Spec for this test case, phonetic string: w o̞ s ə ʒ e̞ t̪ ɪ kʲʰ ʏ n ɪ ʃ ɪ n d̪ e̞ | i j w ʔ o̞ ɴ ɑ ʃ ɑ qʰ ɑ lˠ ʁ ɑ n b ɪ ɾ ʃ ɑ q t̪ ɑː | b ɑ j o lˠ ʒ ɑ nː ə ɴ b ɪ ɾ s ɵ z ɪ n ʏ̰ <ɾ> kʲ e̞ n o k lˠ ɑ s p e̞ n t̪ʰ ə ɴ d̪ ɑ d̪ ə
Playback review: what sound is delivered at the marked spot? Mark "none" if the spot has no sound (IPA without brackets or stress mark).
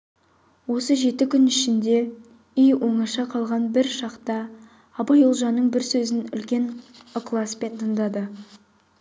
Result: l